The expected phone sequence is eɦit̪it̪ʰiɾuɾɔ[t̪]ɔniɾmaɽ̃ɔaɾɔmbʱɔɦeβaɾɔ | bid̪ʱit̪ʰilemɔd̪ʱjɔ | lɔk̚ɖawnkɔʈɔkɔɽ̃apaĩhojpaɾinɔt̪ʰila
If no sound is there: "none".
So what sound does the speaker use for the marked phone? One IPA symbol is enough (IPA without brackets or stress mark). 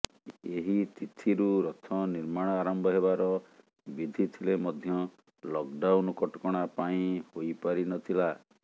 t̪ʰ